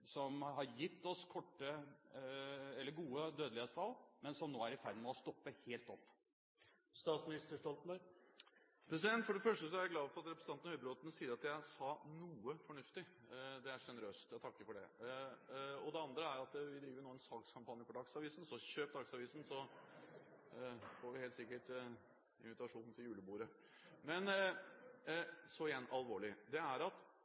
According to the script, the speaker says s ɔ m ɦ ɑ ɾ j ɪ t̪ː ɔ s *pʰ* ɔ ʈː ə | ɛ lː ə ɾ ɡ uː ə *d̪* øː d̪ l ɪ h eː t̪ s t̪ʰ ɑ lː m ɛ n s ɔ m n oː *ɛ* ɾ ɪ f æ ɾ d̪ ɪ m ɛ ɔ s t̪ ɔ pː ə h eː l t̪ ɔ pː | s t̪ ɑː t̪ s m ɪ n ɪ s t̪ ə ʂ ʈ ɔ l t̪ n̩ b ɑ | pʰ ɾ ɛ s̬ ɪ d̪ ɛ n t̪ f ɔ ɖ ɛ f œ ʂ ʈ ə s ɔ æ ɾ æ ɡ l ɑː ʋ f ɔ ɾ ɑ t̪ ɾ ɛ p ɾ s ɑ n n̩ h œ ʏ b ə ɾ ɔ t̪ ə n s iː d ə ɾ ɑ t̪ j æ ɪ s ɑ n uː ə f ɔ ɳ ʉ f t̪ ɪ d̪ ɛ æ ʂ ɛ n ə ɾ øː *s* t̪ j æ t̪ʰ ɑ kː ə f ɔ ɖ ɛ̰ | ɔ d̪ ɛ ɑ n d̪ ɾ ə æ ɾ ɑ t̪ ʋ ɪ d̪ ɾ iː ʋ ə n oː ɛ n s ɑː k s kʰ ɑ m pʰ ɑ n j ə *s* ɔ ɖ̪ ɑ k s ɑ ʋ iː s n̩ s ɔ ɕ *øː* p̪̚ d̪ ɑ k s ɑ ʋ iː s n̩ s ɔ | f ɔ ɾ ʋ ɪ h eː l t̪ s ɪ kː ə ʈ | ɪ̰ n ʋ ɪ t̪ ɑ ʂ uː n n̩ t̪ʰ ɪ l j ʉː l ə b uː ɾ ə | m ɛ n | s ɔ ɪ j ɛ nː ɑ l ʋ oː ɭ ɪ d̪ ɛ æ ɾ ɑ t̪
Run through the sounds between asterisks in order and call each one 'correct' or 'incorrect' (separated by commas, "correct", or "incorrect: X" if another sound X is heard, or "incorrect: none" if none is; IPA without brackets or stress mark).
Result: incorrect: kʰ, correct, incorrect: æ, correct, incorrect: f, correct